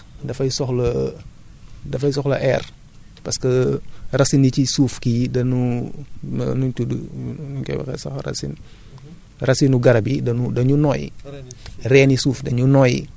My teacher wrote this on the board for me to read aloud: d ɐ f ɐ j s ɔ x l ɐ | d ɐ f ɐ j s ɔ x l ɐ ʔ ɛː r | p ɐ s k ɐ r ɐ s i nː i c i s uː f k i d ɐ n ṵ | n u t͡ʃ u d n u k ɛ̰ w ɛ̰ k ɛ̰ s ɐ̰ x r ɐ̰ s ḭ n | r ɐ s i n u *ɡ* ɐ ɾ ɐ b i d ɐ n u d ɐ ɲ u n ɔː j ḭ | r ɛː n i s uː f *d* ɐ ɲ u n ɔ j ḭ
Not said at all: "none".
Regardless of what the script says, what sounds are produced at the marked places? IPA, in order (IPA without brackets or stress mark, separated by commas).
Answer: ɡ, d